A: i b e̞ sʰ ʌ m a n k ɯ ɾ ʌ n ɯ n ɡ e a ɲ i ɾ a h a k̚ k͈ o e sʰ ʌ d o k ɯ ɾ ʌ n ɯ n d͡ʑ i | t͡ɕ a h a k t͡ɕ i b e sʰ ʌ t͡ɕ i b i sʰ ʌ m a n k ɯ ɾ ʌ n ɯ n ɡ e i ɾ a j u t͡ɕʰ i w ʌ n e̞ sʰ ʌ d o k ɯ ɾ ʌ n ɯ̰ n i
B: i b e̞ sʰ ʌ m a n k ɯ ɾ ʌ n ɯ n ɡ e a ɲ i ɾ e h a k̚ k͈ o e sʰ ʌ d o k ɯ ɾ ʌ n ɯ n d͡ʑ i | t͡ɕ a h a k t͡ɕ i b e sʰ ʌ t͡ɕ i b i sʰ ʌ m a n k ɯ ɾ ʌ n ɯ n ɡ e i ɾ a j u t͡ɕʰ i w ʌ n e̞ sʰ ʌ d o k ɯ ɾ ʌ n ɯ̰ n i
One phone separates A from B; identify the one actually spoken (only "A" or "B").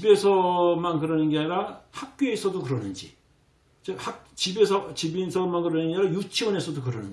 A